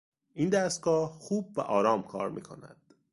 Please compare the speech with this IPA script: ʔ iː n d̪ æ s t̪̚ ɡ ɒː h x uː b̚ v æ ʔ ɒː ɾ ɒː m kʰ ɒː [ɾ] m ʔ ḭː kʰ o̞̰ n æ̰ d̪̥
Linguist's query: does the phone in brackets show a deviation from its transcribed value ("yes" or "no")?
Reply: no